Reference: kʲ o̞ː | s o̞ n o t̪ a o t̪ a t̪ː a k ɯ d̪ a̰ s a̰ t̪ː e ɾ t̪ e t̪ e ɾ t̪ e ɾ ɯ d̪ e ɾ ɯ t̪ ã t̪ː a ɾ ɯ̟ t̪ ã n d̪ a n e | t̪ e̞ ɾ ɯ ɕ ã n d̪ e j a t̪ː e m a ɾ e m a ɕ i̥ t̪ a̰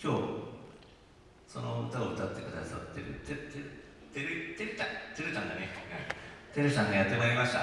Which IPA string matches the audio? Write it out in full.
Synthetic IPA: kʲ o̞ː | s o̞ n o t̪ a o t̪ a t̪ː e k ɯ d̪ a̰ s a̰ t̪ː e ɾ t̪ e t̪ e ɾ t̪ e ɾ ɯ t̪ e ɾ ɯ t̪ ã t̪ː e ɾ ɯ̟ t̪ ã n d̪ a n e | t̪ e̞ ɾ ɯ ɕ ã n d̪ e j a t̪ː e m a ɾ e m a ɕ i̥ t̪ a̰